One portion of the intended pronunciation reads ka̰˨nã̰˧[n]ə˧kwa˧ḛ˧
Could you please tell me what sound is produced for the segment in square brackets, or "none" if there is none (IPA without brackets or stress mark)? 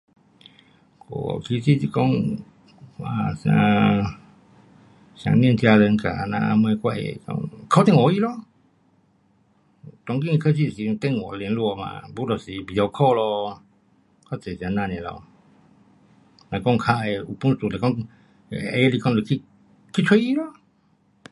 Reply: m